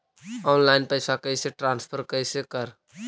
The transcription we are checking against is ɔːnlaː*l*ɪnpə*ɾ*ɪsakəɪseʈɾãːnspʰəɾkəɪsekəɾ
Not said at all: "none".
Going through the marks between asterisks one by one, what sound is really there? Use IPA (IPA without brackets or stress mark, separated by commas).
none, none